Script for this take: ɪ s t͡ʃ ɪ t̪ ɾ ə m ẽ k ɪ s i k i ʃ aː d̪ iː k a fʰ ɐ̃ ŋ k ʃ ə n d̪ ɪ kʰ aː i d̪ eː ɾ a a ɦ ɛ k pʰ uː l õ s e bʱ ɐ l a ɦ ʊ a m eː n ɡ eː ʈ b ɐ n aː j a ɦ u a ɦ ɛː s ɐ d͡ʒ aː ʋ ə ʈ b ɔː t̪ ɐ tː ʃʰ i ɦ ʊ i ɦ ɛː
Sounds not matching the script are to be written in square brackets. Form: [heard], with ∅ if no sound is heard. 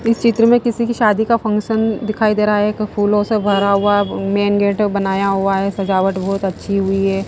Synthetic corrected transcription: ɪ s t͡ʃ ɪ t̪ ɾ ə m ẽ k ɪ s i k i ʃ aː d̪ [i] k a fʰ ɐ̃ ŋ k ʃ ə n d̪ ɪ kʰ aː i d̪ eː ɾ a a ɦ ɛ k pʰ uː l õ s e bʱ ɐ [ɾ] a ɦ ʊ a m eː n ɡ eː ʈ b ɐ n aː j a ɦ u a ɦ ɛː s ɐ d͡ʒ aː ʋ ə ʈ b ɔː t̪ ɐ tː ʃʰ i ɦ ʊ i ɦ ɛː